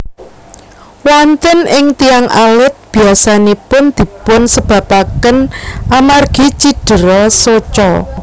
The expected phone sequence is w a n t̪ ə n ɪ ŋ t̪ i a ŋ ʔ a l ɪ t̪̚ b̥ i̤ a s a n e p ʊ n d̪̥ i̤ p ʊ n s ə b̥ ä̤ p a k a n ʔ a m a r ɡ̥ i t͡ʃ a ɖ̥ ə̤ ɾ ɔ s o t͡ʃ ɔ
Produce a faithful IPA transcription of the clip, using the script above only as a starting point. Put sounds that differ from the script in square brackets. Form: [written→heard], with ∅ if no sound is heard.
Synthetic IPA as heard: w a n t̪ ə n ɪ ŋ t̪ i a ŋ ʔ a l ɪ t̪̚ b̥ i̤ a s a n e p ʊ n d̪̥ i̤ p ʊ n s ə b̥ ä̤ p a k [a→ə] n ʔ a m a r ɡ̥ i t͡ʃ [a→i] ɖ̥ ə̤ ɾ ɔ s o t͡ʃ ɔ